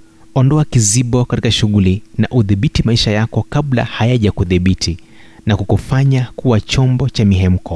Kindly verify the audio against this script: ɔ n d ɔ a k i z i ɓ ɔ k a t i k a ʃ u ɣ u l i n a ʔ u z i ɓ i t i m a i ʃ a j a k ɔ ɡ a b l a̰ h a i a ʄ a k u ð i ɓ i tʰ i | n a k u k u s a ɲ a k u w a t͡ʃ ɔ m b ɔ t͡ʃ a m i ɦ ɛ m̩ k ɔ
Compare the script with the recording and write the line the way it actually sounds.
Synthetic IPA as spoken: ɔ n d ɔ a k i z i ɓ ɔ k a t i k a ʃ u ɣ u l i n a ʔ u ð i ɓ i t i m a i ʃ a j a k ɔ k a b l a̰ h a j a ʄ a k u ð i ɓ i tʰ i | n a k u k u f a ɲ a k u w a t͡ʃ ɔ m b ɔ t͡ʃ a m i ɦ ɛ m̩ k ɔ